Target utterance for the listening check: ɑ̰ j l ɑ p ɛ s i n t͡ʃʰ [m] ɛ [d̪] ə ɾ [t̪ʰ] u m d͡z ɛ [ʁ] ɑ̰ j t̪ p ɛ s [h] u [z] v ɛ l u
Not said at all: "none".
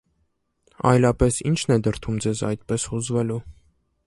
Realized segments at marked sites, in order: n, d̪, t̪ʰ, z, h, z

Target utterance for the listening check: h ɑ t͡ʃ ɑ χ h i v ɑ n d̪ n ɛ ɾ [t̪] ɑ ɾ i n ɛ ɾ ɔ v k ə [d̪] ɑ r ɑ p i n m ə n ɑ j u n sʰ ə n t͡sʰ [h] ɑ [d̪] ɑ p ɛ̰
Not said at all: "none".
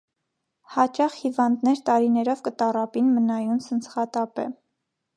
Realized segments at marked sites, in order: t̪, t̪, χ, t̪

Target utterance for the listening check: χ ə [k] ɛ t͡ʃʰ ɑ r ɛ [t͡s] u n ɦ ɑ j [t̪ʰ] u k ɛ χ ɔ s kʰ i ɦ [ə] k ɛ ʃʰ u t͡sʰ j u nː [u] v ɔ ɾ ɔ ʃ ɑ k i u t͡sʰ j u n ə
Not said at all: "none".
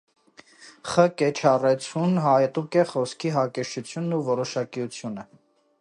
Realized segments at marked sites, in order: k, t͡sʰ, t̪, ɑ, u

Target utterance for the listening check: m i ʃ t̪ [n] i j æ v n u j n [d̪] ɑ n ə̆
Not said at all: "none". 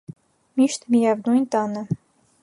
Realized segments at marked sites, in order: m, t̪

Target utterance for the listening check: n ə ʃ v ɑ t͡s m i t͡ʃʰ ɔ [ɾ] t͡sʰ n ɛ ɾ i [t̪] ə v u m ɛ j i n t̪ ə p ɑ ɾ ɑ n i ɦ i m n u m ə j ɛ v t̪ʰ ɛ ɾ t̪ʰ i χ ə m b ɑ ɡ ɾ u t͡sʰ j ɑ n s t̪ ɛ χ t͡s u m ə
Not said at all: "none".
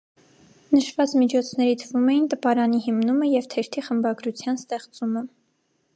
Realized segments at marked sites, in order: none, t̪ʰ

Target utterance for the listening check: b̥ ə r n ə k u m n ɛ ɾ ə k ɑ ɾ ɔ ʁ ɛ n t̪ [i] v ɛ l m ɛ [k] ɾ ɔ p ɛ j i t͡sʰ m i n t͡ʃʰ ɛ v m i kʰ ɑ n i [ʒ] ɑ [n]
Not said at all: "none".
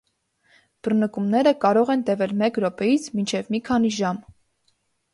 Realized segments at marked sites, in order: ɛ, k, ʒ, m

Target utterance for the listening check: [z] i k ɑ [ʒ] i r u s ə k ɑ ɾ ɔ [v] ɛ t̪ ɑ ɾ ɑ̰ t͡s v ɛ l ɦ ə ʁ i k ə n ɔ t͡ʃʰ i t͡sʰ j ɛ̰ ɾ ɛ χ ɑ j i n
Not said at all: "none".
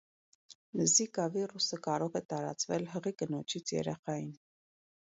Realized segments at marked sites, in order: z, v, ʁ

